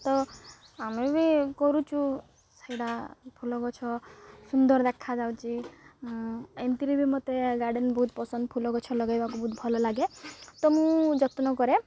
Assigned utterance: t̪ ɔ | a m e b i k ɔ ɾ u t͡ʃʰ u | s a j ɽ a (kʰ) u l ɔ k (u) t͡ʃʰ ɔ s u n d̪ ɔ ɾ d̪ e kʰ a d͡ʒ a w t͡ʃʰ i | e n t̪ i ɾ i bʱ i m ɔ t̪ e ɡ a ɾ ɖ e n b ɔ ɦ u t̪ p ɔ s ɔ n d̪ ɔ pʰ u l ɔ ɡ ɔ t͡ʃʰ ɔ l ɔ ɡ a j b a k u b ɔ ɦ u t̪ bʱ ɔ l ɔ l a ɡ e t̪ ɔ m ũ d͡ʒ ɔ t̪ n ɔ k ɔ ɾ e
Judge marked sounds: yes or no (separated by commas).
no, no